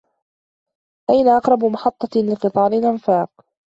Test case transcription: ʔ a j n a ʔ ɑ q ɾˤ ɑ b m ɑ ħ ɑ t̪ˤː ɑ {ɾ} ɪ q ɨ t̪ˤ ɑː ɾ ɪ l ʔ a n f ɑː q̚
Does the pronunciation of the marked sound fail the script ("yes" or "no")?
yes